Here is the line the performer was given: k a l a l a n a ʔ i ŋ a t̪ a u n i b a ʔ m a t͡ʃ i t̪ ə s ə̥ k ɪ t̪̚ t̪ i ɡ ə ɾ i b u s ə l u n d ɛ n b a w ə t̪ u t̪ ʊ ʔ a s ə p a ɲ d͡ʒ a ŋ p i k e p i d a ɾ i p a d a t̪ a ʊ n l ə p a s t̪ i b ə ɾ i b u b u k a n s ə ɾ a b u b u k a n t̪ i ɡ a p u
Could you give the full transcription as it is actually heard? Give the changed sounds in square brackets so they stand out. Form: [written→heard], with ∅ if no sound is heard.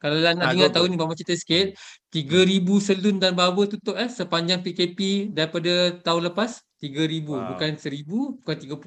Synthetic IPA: k a l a l a n a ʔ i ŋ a t̪ a u n i b a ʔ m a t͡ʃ i t̪ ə s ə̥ k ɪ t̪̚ t̪ i ɡ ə ɾ i b u s ə l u n d [ɛ→a] n b a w ə t̪ u t̪ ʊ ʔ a s ə p a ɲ d͡ʒ a ŋ p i k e p i d a ɾ i p a d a t̪ a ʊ n l ə p a s t̪ i [b→ɡ] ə ɾ i b u b u k a n s ə ɾ [a→i] b u b u k a n t̪ i ɡ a p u